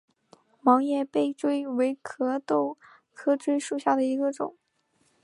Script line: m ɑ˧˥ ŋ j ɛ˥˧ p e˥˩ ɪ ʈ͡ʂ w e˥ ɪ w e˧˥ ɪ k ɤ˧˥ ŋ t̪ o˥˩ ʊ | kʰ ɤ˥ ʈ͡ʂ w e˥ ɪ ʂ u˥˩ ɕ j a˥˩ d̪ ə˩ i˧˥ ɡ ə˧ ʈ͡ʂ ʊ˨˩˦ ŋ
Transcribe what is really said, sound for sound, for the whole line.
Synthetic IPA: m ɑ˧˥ ŋ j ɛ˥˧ p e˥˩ ɪ ʈ͡ʂ w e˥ ɪ w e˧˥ ɪ kʰ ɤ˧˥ t̪ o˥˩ ʊ | kʰ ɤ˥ ʈ͡ʂ w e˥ ɪ ʂ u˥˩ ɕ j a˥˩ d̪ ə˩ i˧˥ ɡ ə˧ ʈ͡ʂ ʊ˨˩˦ ŋ